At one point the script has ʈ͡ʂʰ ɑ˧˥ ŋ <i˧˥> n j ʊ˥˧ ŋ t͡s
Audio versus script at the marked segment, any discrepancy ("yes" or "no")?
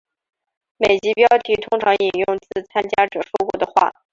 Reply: yes